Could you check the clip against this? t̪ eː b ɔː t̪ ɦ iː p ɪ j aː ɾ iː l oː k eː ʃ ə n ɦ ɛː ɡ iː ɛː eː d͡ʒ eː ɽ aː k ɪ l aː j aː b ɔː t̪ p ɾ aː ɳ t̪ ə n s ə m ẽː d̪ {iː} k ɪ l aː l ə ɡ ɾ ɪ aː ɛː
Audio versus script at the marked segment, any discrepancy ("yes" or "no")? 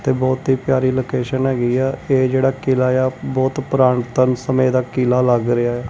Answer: yes